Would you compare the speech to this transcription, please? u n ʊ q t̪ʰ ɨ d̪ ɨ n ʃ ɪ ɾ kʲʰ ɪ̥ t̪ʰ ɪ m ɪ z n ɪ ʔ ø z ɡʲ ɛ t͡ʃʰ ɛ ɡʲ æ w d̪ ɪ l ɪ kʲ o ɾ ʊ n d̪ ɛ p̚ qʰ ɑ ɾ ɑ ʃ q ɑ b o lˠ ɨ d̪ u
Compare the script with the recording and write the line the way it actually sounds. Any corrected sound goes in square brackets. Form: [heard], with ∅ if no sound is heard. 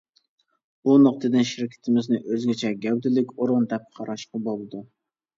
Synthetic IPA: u n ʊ q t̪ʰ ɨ d̪ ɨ n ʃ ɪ ɾ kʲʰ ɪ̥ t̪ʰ ɪ m ɪ z n ɪ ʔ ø z ɡʲ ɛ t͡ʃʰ ɛ ɡʲ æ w d̪ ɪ l ɪ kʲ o ɾ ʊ n d̪ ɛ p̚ qʰ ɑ ɾ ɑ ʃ q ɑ b o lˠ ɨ d̪ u